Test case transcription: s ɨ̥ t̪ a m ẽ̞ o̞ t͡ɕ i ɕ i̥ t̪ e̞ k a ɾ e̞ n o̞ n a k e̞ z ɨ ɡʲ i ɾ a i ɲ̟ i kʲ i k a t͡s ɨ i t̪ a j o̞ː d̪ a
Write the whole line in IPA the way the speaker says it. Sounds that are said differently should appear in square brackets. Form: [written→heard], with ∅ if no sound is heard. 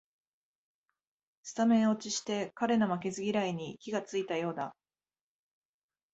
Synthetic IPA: s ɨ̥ t̪ a m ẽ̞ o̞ t͡ɕ i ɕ i̥ t̪ e̞ k a ɾ e̞ n o̞ [n→m] a k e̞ z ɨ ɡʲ i ɾ a i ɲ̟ i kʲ i [k→ɡ] a t͡s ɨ i t̪ a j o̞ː d̪ a